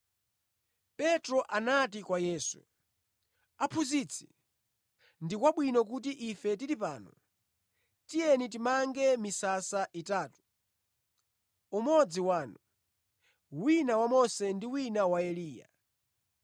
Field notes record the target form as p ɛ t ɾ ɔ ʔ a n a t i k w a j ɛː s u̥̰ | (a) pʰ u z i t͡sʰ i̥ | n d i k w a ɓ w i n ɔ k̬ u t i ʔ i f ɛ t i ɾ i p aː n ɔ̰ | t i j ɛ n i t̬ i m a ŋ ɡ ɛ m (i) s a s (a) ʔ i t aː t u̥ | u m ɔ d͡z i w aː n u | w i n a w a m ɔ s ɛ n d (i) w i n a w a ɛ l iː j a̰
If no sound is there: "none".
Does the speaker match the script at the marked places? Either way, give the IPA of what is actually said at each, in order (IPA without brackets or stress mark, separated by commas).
a, i, a, i